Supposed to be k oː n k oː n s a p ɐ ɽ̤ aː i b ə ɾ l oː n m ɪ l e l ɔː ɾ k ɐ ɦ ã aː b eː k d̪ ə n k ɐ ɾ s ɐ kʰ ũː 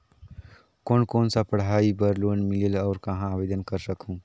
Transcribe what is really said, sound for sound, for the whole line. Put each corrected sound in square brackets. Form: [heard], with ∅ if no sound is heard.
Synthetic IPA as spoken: k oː n k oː n s a p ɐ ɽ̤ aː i b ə ɾ l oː n m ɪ l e l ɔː ɾ k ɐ ɦ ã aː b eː [∅] d̪ ə n k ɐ ɾ s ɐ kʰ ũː